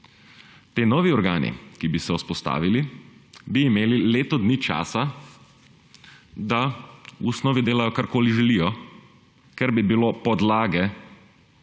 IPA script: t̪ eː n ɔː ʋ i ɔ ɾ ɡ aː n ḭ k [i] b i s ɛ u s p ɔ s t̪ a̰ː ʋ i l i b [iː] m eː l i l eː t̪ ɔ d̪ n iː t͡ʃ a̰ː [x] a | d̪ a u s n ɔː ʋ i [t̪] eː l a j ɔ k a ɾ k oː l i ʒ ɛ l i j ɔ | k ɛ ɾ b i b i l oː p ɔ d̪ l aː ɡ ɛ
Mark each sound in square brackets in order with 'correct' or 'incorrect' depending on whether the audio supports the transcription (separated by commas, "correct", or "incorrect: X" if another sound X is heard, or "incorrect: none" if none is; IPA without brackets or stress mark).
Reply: correct, correct, incorrect: s, incorrect: d̪